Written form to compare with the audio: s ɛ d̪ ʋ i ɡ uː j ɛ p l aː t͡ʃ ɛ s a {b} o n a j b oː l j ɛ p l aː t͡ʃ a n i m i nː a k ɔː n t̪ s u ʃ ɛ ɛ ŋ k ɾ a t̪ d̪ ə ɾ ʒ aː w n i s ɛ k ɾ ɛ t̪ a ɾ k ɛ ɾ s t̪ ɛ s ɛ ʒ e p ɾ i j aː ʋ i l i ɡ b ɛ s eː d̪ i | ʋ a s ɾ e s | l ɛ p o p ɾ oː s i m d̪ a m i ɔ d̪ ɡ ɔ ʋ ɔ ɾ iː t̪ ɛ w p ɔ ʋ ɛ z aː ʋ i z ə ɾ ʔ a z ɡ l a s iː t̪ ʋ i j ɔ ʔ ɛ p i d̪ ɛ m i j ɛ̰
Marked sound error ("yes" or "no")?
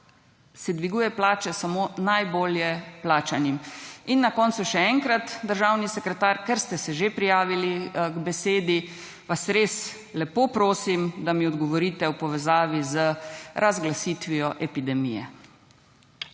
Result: yes